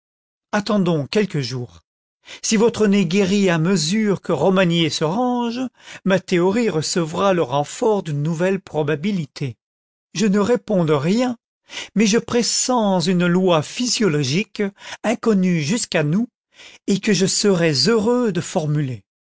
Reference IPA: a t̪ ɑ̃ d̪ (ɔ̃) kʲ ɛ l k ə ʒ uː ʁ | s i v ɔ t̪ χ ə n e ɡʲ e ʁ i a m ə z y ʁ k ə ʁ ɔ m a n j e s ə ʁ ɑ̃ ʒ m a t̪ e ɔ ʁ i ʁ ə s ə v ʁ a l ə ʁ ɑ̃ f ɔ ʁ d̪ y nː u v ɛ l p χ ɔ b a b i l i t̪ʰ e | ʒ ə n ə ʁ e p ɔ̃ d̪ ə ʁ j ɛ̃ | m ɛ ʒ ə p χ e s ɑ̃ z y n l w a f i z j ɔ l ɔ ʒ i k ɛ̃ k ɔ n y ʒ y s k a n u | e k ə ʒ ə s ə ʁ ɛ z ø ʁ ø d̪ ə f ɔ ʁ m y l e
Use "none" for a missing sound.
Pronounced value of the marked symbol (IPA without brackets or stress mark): ɔ̃